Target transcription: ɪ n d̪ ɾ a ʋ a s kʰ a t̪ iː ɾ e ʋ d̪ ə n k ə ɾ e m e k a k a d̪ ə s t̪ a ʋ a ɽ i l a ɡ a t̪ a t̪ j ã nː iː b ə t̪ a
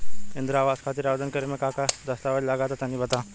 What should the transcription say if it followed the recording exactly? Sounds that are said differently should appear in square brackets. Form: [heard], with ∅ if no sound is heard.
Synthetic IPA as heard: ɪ n d̪ ɾ a ʋ a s kʰ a t̪ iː ɾ [a] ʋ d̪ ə n k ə ɾ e m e k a k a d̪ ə s t̪ a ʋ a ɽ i l a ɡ a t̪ a t̪ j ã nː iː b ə t̪ a